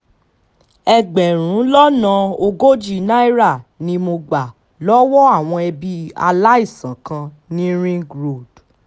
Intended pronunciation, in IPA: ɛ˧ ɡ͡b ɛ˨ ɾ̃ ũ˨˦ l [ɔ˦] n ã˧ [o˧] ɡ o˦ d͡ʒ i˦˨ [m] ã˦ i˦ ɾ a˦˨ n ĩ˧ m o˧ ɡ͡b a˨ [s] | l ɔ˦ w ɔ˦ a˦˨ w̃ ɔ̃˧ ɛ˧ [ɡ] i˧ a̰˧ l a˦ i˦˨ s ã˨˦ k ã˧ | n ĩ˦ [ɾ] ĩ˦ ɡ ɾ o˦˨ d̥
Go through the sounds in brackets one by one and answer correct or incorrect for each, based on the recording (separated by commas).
correct, correct, incorrect, incorrect, incorrect, correct